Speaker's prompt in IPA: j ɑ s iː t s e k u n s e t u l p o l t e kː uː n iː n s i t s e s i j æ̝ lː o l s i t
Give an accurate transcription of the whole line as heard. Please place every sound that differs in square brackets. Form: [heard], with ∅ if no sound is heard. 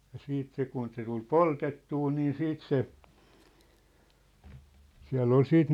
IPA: j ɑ s iː t s e k u n s e t u l p o l t e [tː] uː n iː n s [iː] t s e s i [∅] æ̝ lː o l s [iː] t